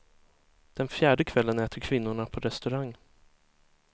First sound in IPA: d̪̥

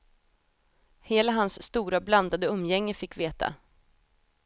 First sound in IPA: h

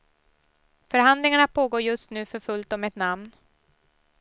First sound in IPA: f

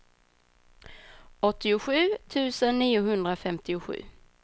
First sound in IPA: ɔ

